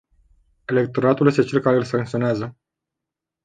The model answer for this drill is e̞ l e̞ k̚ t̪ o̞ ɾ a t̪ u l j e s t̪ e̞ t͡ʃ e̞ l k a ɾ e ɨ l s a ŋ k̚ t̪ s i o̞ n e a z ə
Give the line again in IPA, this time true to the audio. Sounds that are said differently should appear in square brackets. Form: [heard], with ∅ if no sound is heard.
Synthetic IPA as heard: e̞ l e̞ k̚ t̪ o̞ ɾ a t̪ u l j e s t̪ e̞ t͡ʃ e̞ l k a ɾ e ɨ l s a ŋ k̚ t̪ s i o̞ n e a z ə

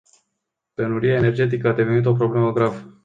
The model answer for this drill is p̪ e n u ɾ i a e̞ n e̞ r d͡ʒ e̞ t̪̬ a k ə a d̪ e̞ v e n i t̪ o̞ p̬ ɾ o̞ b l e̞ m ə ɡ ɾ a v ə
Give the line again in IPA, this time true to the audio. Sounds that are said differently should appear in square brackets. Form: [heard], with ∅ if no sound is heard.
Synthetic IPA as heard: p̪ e n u ɾ i a e̞ n e̞ r d͡ʒ e̞ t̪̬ [i] k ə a d̪ e̞ v e n i t̪ o̞ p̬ ɾ o̞ b l e̞ m ə ɡ ɾ a v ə

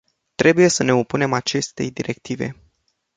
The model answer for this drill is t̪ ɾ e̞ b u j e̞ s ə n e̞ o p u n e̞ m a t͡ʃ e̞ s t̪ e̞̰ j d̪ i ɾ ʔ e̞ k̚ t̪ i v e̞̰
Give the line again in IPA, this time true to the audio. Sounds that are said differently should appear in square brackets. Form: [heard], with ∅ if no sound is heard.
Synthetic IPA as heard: t̪ ɾ e̞ b u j e̞ s ə n e̞ o p u n e̞ m a t͡ʃ e̞ s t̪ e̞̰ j d̪ i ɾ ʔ e̞ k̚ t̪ i v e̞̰

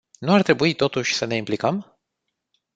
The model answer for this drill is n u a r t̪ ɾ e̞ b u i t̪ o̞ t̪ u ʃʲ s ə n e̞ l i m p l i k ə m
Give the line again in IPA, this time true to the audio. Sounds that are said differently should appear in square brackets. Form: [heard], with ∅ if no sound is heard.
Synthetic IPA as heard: n u a r t̪ ɾ e̞ b u i t̪ o̞ t̪ u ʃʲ s ə n e̞ [∅] i m p l i k ə m

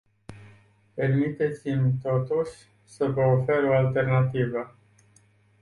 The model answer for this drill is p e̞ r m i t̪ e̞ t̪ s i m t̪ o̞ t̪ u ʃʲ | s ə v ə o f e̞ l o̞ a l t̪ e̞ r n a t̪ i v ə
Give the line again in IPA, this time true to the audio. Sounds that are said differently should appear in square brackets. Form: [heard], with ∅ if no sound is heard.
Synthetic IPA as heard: p e̞ r m i t̪ e̞ t̪ s i m t̪ o̞ t̪ u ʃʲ | s ə v ə o f e̞ [ɾ] o̞ a l t̪ e̞ r n a t̪ i v ə

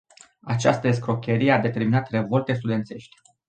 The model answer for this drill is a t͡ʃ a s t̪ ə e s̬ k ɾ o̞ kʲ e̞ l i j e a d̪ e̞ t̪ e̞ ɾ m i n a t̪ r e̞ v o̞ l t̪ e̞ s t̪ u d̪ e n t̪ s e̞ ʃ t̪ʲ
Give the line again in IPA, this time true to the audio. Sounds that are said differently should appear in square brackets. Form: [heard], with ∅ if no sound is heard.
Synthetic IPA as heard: a t͡ʃ a s t̪ ə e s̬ k ɾ o̞ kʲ e̞ [ɾ] i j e a d̪ e̞ t̪ e̞ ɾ m i n a t̪ r e̞ v o̞ l t̪ e̞ s t̪ u d̪ e n t̪ s e̞ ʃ t̪ʲ

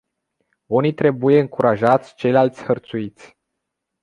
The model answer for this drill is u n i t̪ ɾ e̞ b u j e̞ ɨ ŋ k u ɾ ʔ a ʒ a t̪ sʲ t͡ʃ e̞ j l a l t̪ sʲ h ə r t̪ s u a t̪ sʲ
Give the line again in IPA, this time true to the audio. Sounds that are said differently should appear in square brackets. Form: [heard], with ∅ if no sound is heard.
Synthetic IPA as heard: u n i t̪ ɾ e̞ b u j e̞ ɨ ŋ k u ɾ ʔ a ʒ a t̪ sʲ t͡ʃ e̞ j l a l t̪ sʲ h ə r t̪ s u [i] t̪ sʲ

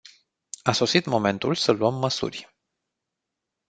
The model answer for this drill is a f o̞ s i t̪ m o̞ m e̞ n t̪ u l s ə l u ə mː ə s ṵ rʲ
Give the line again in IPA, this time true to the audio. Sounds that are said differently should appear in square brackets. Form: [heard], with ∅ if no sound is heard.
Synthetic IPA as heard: a [s] o̞ s i t̪ m o̞ m e̞ n t̪ u l s ə l u ə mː ə s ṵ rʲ

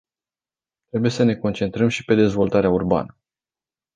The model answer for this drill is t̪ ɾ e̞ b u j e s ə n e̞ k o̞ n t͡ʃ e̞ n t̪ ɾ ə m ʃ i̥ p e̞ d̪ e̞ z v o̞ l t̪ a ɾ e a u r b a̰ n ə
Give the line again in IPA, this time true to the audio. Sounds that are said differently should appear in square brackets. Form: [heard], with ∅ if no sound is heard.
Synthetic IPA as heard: t̪ ɾ e̞ b u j e s ə n e̞ k o̞ n t͡ʃ e̞ n t̪ ɾ ə m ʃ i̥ p e̞ d̪ e̞ z v o̞ l t̪ a ɾ e a u r b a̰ n ə

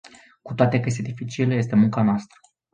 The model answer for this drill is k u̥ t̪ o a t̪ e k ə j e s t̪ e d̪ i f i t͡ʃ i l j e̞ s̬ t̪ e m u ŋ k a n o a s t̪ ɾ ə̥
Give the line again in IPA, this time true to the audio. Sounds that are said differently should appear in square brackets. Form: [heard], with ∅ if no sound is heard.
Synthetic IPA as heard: k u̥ t̪ o a t̪ e k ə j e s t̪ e d̪ i f i t͡ʃ i l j e̞ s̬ t̪ e m u ŋ k a n o a s t̪ ɾ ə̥

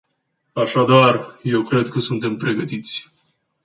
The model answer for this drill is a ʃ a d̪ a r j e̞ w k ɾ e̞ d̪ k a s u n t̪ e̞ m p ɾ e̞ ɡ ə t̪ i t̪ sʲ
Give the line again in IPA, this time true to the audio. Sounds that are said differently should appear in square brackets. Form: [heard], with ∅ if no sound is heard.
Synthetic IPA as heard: a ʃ a d̪ a r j e̞ w k ɾ e̞ d̪ k [ə] s u n t̪ e̞ m p ɾ e̞ ɡ ə t̪ i t̪ sʲ

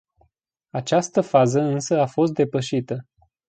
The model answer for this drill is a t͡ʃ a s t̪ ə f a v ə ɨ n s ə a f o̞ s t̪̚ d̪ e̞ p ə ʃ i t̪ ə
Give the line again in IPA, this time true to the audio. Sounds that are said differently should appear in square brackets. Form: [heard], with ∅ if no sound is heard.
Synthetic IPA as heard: a t͡ʃ a s t̪ ə f a [z] ə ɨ n s ə a f o̞ s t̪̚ d̪ e̞ p ə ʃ i t̪ ə

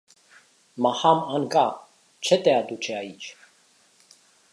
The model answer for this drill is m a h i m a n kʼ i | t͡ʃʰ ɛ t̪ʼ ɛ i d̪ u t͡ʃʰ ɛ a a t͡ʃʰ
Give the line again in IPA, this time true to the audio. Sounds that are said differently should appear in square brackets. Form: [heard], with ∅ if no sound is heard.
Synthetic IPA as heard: m a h [a] m a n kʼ [a] | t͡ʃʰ ɛ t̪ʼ ɛ [a] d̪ u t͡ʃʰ ɛ a [i] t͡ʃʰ

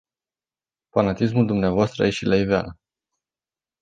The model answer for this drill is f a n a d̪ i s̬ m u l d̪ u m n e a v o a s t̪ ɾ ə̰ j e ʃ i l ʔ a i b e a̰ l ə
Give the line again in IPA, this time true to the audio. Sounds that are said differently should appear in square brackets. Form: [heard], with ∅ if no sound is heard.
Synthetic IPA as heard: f a n a [t̪] i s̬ m u l d̪ u m n e a v o a s t̪ ɾ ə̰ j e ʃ i l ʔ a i [v] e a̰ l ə

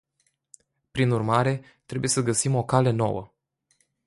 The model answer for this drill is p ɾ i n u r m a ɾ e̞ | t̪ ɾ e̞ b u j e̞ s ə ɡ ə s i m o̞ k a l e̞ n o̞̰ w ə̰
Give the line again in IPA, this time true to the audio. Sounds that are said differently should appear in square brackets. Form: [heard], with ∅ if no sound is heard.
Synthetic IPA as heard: p ɾ i n u r m a ɾ e̞ | t̪ ɾ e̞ b u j e̞ s ə ɡ ə s i m o̞ k a l e̞ n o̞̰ w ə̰

